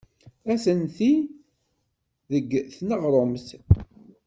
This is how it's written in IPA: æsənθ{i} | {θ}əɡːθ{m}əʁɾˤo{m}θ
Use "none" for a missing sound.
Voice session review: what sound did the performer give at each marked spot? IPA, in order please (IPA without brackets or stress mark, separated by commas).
i, ð, n, m